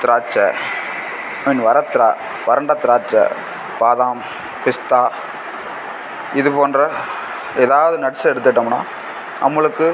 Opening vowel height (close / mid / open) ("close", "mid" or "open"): close